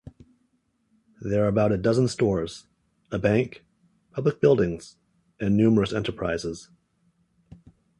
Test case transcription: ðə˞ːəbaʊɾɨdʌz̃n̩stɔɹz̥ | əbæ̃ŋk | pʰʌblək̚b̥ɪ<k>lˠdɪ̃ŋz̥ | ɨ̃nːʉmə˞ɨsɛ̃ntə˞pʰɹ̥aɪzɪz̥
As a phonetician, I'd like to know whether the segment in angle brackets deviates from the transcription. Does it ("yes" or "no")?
yes